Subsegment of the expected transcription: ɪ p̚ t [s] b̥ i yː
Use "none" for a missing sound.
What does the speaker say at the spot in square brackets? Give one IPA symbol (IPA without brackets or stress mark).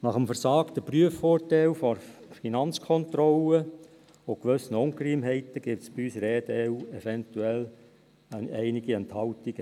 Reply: s